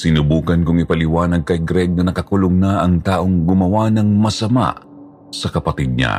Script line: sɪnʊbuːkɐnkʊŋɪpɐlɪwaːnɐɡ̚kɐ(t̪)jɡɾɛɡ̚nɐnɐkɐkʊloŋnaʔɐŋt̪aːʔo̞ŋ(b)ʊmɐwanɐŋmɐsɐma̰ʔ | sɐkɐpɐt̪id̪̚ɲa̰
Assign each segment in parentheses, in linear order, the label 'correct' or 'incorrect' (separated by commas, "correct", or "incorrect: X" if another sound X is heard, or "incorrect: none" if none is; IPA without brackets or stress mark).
incorrect: none, incorrect: ɡ